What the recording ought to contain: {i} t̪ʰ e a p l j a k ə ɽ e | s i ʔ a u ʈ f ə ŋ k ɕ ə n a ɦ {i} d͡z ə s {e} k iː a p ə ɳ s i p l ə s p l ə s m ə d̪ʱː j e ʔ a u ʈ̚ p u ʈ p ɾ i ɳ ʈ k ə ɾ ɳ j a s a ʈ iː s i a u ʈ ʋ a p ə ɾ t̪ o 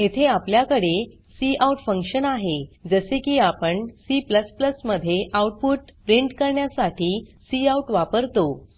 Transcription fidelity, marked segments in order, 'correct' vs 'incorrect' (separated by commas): incorrect, incorrect, correct